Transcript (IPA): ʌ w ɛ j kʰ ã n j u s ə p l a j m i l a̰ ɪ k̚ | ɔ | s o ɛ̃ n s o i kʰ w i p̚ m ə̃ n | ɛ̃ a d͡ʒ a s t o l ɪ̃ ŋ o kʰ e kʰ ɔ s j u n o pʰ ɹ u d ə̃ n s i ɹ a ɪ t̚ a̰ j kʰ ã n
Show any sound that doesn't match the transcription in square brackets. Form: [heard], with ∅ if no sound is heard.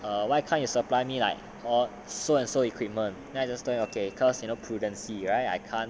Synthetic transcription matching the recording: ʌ w [a] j kʰ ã n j u s ə p l a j m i l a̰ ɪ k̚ | ɔ | s o ɛ̃ n s o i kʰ w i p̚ m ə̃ n | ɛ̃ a d͡ʒ a s t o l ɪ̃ ŋ o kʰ e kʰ ɔ s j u n o pʰ ɹ u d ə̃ n s i ɹ a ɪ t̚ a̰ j kʰ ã n